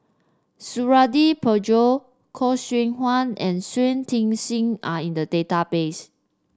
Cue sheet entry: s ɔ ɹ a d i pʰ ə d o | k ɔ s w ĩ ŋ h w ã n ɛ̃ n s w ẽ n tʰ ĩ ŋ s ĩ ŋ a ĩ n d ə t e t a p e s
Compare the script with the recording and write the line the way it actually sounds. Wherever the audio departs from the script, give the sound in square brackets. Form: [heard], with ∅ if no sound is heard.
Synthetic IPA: s [u] ɹ a d i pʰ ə [d͡ʒ] o | [kʰ] ɔ s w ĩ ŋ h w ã n ɛ̃ n s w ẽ n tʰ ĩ ŋ s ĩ ŋ a ĩ n d ə [d] e t a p e s